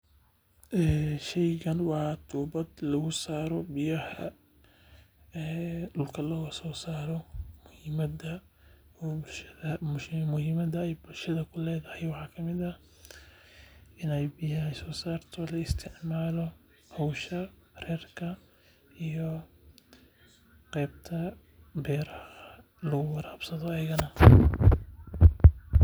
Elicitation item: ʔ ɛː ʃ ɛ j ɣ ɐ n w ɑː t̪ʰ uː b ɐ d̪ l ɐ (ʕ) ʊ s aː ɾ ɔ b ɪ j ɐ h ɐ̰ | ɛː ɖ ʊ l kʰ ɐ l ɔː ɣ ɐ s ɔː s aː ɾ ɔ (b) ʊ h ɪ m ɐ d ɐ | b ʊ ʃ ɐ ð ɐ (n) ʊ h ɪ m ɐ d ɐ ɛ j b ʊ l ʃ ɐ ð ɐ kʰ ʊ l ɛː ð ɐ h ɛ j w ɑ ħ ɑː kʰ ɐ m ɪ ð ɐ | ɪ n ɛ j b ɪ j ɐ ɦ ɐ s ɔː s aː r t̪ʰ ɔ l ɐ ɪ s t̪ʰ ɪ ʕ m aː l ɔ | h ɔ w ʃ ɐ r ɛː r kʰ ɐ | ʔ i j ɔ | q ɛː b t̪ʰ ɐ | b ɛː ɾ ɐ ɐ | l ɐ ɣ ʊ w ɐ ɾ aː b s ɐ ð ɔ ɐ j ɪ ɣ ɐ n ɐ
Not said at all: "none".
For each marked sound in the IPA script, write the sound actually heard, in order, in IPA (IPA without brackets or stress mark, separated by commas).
ɣ, m, m